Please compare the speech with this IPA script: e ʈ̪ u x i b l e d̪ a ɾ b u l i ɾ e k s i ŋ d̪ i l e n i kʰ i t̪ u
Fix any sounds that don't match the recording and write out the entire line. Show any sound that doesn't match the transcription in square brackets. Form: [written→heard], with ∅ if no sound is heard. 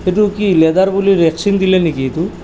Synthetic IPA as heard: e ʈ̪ u [x→k] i [b→∅] l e d̪ a ɾ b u l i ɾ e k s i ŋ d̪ i l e n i [kʰ→k] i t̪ u